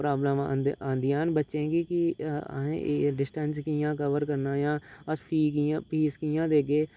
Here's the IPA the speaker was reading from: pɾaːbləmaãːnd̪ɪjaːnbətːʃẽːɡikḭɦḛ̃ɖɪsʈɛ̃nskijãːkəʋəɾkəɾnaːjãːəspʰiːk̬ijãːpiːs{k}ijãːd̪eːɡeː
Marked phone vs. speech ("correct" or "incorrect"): correct